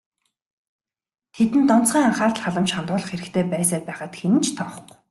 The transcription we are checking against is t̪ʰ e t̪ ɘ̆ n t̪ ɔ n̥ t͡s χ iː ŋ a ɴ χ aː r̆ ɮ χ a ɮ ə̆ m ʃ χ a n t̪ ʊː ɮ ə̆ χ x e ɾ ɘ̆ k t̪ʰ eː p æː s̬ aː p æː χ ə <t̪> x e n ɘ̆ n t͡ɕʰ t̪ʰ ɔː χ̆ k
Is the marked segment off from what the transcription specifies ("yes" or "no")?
no